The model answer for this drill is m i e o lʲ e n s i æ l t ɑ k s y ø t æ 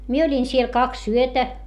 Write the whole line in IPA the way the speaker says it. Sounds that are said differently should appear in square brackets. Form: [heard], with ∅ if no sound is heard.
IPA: m i e o lʲ [i] n s i [e] l [k] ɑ k s y ø t æ